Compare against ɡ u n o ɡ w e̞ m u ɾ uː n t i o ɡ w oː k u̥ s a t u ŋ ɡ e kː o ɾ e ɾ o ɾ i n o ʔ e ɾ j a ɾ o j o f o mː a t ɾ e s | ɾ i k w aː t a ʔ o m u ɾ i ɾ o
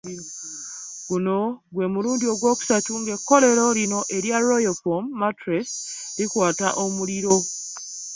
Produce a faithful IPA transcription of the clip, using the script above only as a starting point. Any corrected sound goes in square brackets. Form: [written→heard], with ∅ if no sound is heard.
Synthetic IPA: ɡ u n o ɡ w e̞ m u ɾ uː n [t→d] i o ɡ w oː k u̥ s a t u ŋ ɡ e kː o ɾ e ɾ o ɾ i n o ʔ e ɾ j a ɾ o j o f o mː a t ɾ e s | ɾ i k w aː t a ʔ o m u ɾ i ɾ o